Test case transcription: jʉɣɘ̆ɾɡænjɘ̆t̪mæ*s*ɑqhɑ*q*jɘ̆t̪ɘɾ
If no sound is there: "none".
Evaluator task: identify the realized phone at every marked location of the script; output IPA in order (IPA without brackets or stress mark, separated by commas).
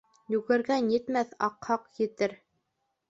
θ, q